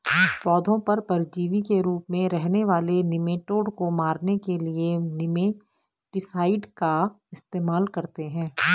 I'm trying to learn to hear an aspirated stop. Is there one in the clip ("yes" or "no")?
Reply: no